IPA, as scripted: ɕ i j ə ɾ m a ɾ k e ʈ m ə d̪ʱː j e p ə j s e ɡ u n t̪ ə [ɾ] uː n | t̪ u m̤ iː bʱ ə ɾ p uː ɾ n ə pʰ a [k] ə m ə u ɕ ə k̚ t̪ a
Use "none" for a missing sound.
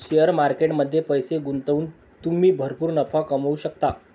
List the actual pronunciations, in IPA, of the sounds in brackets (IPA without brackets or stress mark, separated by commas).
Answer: none, k